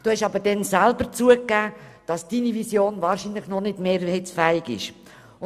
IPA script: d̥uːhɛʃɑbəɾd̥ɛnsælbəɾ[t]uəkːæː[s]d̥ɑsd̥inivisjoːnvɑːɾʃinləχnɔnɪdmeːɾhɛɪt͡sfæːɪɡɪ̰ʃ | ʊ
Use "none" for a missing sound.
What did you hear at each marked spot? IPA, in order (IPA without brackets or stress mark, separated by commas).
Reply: t͡s, none